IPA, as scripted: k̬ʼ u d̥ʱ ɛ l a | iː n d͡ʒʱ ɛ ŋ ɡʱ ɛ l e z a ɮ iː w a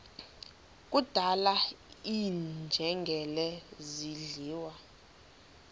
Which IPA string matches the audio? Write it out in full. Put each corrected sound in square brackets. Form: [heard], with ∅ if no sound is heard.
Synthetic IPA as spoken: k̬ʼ u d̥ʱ [a] l a | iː n d͡ʒʱ ɛ ŋ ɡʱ ɛ l [ɛ] z [i] ɮ iː w a